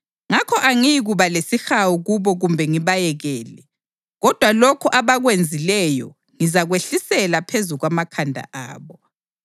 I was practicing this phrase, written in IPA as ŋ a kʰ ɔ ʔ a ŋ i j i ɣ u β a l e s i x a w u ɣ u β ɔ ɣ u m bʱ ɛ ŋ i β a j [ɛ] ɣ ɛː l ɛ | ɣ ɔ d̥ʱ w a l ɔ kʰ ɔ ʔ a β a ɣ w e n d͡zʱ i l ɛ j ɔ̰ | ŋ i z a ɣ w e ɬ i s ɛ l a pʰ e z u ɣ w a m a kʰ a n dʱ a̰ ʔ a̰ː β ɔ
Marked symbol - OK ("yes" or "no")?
yes